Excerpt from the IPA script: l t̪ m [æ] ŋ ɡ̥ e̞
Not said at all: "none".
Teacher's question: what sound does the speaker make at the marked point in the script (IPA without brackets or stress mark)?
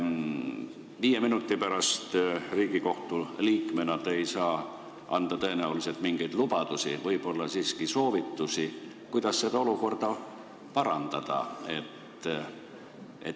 i